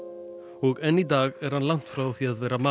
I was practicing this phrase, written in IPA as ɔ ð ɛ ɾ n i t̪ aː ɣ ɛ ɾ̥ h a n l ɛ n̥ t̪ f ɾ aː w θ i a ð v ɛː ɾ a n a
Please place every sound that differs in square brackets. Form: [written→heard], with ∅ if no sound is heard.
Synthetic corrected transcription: ɔ [ð→ɣ] ɛ [ɾ→∅] n i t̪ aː ɣ ɛ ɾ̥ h a n l [ɛ→a] n̥ t̪ f ɾ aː w θ i a ð v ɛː ɾ a [n→m] a